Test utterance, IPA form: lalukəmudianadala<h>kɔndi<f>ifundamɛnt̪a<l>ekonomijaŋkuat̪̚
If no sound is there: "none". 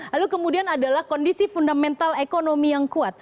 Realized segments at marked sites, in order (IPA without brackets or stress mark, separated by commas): h, s, l